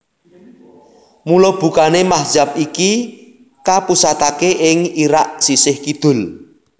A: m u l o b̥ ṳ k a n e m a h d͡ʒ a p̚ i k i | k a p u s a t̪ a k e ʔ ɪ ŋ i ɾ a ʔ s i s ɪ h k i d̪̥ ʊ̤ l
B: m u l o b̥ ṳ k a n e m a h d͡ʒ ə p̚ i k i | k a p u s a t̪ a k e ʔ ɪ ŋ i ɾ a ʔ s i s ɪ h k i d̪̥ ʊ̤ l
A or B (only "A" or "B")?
A